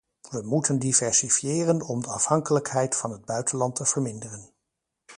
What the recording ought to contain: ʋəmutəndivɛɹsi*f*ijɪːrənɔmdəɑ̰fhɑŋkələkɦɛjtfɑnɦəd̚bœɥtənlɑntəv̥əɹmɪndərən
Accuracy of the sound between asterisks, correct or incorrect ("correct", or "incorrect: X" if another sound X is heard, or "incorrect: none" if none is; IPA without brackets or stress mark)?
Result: correct